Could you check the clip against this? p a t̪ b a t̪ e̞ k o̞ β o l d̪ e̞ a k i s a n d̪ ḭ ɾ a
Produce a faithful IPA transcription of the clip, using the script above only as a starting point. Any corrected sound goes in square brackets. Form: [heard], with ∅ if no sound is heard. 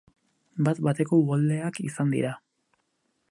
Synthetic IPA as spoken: [b] a t̪ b a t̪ e̞ k o̞ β o l d̪ e̞ a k i s a n d̪ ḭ ɾ a